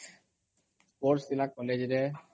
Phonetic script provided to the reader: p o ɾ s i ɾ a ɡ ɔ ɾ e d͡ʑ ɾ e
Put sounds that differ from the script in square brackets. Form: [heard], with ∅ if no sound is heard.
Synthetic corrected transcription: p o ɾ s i [l] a [k] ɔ [l] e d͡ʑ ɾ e